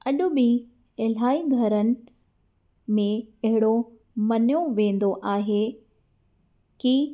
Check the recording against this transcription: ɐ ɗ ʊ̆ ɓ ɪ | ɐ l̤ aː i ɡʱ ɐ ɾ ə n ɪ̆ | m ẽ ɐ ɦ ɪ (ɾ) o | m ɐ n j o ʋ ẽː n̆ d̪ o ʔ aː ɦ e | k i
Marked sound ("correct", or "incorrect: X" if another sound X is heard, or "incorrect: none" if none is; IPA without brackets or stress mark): incorrect: ɽ